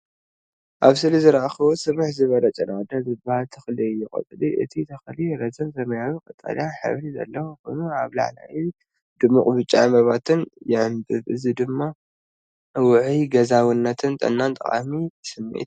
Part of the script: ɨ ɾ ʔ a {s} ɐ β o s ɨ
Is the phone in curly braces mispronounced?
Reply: yes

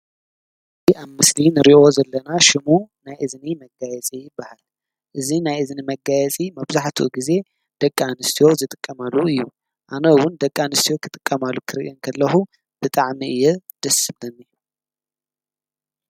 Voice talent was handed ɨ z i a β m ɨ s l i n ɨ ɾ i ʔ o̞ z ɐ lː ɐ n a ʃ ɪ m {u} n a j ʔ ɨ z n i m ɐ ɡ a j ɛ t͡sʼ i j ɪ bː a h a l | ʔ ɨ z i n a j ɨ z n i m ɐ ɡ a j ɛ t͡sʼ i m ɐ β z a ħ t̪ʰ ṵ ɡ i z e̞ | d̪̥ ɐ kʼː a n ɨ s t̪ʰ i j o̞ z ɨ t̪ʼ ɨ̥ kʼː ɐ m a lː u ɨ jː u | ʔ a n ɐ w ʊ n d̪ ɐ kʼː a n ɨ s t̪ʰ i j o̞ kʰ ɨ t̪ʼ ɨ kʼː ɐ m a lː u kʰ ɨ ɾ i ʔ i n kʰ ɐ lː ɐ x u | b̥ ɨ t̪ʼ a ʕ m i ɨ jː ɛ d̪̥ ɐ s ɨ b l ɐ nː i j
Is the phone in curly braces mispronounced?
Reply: no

